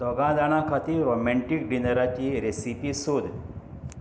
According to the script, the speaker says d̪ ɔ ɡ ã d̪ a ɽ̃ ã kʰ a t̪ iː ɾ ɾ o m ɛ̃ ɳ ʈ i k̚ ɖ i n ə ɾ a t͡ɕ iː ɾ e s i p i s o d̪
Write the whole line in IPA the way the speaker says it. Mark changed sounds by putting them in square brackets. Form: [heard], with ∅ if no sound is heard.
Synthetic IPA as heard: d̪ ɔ ɡ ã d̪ a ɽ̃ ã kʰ a t̪ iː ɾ ɾ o m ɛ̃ ɳ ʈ i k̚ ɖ i n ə ɾ a t͡ɕ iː ɾ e s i p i s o d̪